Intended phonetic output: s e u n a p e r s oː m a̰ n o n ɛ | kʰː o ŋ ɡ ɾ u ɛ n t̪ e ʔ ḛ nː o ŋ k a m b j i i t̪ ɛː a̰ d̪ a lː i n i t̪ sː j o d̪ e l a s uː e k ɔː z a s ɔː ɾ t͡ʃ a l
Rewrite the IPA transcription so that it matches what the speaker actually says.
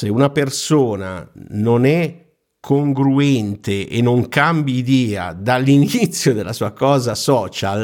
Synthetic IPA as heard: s e u n a p e r s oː n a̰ n o n ɛ | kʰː o ŋ ɡ ɾ u ɛ n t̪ e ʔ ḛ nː o ŋ k a m b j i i d̪ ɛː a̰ d̪ a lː i n i t̪ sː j o d̪ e l a s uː a k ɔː z a s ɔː t͡ʃ a l